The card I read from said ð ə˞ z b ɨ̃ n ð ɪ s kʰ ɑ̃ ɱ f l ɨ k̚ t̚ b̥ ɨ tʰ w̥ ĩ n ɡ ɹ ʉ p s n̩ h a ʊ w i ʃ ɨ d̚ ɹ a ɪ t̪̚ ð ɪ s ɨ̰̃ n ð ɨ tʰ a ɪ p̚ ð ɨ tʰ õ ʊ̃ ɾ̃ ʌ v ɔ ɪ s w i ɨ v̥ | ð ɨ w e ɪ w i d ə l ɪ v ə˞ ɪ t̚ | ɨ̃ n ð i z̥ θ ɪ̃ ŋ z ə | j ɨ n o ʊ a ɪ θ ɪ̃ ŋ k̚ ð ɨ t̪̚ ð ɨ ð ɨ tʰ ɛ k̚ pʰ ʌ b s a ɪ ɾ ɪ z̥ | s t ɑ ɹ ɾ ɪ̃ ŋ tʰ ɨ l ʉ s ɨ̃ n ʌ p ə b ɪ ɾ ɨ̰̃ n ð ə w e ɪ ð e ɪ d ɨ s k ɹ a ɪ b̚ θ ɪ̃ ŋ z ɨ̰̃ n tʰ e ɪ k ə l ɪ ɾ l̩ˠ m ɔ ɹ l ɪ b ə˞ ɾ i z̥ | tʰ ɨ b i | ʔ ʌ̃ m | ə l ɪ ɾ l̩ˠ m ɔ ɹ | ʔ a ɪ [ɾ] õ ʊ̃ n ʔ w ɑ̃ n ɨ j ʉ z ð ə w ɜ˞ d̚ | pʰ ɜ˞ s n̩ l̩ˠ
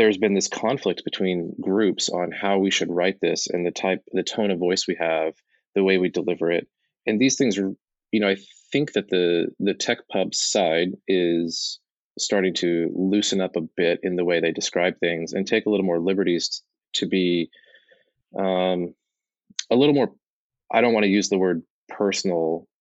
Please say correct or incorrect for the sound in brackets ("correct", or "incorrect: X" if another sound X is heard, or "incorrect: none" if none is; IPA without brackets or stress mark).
correct